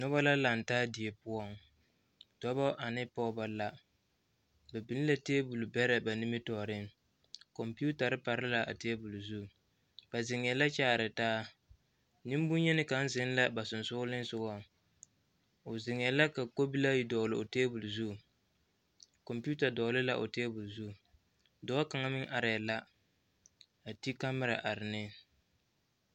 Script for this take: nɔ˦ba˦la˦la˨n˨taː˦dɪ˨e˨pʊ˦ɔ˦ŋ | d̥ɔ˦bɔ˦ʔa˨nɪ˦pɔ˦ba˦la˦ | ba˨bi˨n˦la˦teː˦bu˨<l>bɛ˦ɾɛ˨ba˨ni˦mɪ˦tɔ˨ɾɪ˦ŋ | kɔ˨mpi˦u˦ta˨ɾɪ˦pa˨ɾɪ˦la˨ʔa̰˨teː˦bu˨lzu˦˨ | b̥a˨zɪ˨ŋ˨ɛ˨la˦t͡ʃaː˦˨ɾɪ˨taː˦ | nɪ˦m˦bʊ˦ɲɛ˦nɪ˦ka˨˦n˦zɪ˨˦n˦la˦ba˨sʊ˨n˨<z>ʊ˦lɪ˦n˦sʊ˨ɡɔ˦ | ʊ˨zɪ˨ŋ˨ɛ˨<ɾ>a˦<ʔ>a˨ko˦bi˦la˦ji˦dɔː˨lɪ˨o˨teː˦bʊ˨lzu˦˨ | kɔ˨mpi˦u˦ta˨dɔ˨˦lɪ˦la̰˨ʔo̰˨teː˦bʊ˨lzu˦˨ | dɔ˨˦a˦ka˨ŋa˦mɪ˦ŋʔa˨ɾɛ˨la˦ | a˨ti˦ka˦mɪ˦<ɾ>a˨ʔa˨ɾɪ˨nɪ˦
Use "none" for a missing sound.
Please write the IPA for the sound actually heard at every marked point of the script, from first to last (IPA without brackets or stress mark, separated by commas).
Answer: l, s, l, k, ɾ